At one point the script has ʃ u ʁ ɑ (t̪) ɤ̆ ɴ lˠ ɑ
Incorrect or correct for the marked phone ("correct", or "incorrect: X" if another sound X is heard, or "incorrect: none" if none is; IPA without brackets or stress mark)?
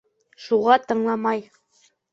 correct